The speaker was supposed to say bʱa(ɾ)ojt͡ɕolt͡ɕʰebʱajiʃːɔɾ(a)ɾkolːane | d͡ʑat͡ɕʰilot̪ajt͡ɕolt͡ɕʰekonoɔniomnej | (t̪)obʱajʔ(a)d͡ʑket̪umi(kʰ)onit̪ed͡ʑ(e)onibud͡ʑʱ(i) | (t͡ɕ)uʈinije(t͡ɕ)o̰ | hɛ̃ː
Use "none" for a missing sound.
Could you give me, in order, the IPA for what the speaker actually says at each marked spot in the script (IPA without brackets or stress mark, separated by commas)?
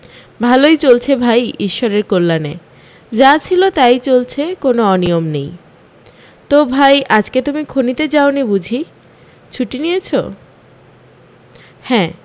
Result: l, e, t̪, a, kʰ, a, i, t͡ɕʰ, t͡ɕʰ